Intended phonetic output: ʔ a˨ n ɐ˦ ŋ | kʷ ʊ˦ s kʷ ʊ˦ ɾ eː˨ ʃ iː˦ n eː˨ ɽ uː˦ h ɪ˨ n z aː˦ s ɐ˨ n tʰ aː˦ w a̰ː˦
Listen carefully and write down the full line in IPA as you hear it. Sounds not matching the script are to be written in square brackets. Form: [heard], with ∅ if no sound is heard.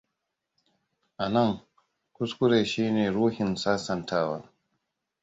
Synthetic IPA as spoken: ʔ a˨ n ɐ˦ ŋ | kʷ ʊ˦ s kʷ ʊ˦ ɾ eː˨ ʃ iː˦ n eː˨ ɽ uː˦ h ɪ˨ n [s] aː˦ s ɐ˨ n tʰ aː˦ w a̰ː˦